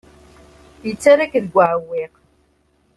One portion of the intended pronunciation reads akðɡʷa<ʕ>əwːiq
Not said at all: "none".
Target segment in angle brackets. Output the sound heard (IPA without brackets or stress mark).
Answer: ʕ